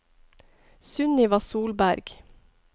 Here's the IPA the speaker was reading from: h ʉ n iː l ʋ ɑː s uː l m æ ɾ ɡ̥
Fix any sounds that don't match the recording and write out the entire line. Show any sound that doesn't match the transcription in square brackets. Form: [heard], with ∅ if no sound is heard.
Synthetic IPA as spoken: [s] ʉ n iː [∅] ʋ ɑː s uː l [b] æ ɾ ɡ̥